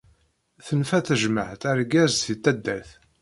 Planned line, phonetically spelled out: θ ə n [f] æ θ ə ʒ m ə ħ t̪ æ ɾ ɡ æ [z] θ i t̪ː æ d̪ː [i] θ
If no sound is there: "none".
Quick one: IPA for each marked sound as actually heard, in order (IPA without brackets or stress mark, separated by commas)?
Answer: f, z, æ